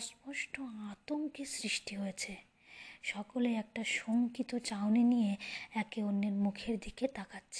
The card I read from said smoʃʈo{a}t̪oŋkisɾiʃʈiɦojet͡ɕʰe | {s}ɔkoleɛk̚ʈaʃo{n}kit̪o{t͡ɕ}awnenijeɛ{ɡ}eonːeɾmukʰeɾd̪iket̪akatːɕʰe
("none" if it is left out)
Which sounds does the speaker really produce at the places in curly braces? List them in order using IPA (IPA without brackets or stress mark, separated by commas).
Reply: a, ʃ, ŋ, t͡ɕ, k